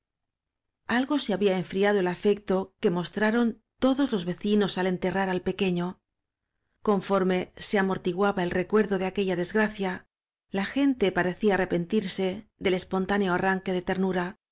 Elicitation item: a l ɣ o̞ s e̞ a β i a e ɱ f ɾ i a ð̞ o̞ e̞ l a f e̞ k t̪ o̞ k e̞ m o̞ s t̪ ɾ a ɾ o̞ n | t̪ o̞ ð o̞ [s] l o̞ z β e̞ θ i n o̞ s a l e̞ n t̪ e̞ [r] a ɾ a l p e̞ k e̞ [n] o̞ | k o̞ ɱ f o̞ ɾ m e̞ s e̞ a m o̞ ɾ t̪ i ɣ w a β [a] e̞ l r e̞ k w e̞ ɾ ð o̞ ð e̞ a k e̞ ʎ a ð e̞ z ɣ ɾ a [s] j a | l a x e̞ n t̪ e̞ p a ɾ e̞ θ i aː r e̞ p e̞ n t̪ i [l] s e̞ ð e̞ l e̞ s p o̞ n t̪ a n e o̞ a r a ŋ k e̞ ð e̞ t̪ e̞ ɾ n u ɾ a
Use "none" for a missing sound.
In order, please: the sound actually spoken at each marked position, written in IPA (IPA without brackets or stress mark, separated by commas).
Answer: z, r, ɲ, a, θ, ɾ